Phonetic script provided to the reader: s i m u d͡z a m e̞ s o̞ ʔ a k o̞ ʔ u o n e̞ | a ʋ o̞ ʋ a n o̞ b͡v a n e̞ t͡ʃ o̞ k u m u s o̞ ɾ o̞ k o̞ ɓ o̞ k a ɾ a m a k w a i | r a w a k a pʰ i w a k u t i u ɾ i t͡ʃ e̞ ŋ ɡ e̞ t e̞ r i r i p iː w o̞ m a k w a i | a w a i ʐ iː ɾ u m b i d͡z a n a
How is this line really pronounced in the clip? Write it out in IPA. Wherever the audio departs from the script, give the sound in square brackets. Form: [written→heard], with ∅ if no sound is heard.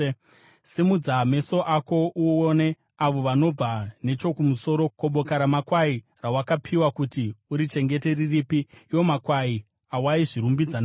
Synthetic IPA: s i m u d͡z a m e̞ s o̞ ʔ a k o̞ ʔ u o n e̞ | a ʋ o̞ ʋ a n o̞ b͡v a n e̞ t͡ʃ o̞ k u m u s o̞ ɾ o̞ k o̞ ɓ o̞ k a ɾ a m a k w a i | r a w a k a pʰ i w a k u t i u ɾ i t͡ʃ e̞ ŋ ɡ e̞ t e̞ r i r i p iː w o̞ m a k w a i | a w a i ʐ [iː→i] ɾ u m b i d͡z a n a